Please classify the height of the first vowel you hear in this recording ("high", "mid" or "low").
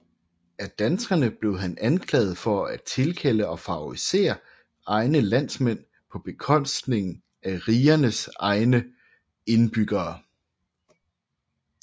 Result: low